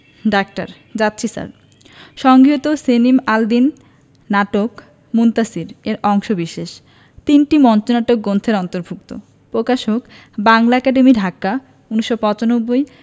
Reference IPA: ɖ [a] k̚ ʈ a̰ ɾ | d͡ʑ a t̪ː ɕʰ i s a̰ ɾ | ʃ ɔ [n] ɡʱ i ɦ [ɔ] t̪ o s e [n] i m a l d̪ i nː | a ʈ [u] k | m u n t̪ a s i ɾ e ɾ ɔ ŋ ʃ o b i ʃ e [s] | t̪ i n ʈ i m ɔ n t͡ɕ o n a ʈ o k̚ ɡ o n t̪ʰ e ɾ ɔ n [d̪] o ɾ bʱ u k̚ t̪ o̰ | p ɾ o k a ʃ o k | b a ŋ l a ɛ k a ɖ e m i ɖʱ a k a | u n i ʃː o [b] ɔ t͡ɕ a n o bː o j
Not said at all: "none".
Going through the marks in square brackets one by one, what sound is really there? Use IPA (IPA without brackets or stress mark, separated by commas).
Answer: a, ŋ, o, n, o, ʃ, t̪, p